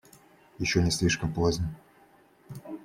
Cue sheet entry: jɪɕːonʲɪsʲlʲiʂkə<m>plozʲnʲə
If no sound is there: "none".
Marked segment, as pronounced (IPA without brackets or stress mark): m